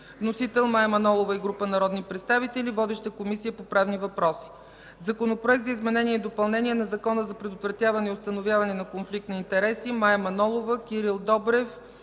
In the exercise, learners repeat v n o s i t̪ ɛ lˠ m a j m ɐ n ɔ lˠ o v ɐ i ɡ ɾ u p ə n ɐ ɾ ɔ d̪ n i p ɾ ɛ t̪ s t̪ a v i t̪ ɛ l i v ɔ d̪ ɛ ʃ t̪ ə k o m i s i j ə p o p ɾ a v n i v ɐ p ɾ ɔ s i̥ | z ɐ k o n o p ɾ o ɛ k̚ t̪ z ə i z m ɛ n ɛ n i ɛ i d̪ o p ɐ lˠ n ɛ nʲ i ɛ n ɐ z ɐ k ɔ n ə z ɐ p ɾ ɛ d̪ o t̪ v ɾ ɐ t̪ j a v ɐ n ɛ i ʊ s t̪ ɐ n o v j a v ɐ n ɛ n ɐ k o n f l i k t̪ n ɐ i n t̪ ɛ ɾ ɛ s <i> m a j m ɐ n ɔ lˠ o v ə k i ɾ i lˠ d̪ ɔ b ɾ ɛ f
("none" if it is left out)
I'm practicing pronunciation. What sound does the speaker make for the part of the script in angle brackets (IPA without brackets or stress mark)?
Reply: i